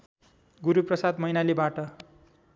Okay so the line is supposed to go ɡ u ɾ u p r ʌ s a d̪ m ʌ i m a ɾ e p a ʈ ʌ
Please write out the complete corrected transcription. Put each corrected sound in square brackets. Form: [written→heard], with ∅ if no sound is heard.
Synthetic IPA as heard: ɡ u ɾ u p r ʌ s a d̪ m ʌ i [m→n] a [ɾ→l] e [p→b] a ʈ ʌ